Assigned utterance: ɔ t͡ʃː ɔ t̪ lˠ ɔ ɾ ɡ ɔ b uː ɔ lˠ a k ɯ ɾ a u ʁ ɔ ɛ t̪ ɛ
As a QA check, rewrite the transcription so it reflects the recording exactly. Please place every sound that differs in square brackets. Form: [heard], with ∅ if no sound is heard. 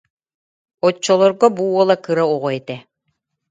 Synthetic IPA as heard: ɔ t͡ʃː ɔ [∅] lˠ ɔ ɾ ɡ ɔ b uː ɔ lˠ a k ɯ ɾ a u ʁ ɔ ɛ t̪ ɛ

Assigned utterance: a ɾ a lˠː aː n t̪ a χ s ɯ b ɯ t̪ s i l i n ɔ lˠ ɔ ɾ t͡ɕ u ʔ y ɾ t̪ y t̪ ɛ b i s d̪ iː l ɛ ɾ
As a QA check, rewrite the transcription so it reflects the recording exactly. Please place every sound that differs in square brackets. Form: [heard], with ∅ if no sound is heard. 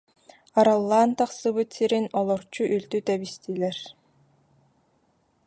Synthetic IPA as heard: a ɾ a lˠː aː n t̪ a χ s ɯ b ɯ t̪ s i [ɾ] i n ɔ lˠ ɔ ɾ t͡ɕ u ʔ y [l] t̪ y t̪ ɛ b i s [t̪] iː l ɛ ɾ

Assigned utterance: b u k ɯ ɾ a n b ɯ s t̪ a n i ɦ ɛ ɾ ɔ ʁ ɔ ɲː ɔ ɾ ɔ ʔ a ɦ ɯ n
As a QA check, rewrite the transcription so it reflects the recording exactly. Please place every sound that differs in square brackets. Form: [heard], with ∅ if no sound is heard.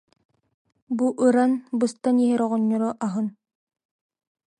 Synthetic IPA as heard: b u [ʔ] ɯ ɾ a n b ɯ s t̪ a n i ɦ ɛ ɾ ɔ ʁ ɔ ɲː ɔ ɾ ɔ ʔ a ɦ ɯ n

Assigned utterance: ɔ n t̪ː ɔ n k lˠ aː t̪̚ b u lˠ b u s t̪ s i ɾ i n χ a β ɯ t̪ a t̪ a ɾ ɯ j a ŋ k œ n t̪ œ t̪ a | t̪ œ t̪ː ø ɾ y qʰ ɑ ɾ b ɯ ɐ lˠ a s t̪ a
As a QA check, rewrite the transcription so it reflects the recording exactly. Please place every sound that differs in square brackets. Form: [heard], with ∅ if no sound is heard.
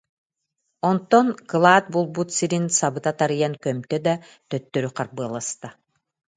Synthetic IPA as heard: ɔ n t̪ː ɔ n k lˠ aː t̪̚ b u lˠ b u [∅] t̪ s i ɾ i n [s] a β ɯ t̪ a t̪ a ɾ ɯ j a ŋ k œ [m] t̪ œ [d̪] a | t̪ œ t̪ː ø ɾ y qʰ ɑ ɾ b ɯ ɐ lˠ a s t̪ a

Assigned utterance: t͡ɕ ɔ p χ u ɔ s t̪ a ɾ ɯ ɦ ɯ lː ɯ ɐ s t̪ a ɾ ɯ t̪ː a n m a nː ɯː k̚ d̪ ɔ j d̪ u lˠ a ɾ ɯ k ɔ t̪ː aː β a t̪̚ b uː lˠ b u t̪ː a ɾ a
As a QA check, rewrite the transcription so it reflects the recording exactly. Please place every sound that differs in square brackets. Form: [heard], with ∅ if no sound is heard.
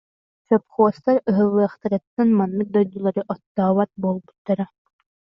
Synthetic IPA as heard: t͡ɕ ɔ p χ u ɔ s t̪ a ɾ ɯ ɦ ɯ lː ɯ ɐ [χ] t̪ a ɾ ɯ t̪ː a n m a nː [ɯ] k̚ d̪ ɔ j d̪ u lˠ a ɾ ɯ [ʔ] ɔ t̪ː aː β a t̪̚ b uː lˠ b u t̪ː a ɾ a

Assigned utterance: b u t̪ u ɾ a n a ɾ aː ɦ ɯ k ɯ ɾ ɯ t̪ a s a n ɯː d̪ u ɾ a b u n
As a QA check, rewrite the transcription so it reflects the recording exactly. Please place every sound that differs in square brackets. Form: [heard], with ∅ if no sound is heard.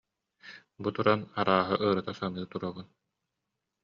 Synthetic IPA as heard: b u t̪ u ɾ a n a ɾ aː ɦ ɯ [ʔ] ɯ ɾ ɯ t̪ a s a n ɯː [t̪] u ɾ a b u n

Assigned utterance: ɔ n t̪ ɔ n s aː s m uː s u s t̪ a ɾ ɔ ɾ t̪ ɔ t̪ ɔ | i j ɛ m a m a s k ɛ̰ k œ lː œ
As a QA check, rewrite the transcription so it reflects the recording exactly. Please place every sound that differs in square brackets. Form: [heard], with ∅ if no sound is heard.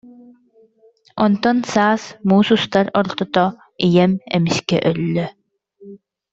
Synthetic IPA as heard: ɔ n t̪ ɔ n s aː s m uː s u s t̪ a ɾ ɔ ɾ t̪ ɔ t̪ ɔ | i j ɛ m [ɛ] m [i] s k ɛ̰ [ʔ] œ lː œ

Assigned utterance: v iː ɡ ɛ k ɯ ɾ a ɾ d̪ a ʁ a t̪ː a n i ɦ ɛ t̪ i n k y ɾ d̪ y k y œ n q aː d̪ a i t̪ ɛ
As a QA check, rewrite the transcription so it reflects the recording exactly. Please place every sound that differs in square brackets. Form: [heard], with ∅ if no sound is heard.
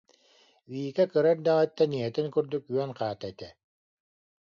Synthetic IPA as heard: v iː [k] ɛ k ɯ ɾ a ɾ d̪ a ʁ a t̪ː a n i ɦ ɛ t̪ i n k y ɾ d̪ y k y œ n q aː [t̪] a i t̪ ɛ

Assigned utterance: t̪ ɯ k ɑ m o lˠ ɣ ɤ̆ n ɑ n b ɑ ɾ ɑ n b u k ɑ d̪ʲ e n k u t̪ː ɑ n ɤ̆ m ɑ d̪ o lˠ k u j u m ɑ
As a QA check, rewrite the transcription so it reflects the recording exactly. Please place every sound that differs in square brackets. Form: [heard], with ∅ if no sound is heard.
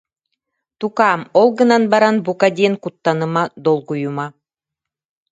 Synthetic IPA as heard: t̪ [u] k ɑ m o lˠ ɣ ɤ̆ n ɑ n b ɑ ɾ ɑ n b u k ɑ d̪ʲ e n k u t̪ː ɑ n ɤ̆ m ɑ d̪ o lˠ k u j u m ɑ

